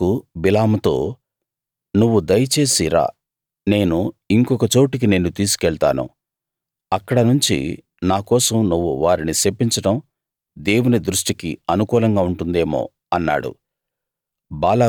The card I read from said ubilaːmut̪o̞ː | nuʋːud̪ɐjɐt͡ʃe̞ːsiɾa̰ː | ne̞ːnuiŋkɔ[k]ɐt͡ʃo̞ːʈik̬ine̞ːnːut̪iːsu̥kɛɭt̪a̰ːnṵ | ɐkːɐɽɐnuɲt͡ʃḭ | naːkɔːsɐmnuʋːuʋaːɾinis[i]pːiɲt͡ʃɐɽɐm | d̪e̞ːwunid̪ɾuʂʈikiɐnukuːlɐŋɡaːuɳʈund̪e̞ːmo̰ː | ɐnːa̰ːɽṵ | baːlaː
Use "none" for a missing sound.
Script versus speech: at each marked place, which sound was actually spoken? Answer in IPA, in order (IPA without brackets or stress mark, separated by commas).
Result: k, e